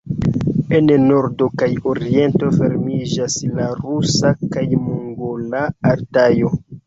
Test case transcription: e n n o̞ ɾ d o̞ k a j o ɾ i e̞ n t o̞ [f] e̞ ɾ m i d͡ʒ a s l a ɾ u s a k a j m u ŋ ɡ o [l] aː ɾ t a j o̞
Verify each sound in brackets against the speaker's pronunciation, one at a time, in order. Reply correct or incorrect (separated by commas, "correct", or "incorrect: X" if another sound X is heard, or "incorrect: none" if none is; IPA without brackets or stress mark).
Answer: correct, correct